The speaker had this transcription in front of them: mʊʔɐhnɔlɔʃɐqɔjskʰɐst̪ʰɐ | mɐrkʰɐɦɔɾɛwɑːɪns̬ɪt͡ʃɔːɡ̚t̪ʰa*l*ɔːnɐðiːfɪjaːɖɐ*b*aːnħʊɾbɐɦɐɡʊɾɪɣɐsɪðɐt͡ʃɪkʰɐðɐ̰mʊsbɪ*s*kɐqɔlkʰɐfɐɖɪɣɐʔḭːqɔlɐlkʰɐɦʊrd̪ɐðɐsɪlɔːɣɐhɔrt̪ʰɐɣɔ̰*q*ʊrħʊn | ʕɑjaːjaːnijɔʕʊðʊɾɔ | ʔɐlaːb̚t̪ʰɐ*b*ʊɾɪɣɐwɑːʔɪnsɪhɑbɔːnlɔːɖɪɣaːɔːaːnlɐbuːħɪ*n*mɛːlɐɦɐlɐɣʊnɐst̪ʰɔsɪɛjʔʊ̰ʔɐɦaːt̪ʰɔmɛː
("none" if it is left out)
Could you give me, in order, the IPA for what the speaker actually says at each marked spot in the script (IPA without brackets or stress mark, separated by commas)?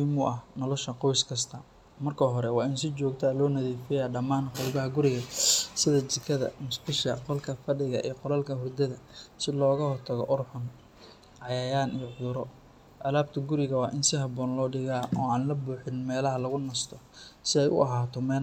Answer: l, m, ʃ, ʔ, ɡ, n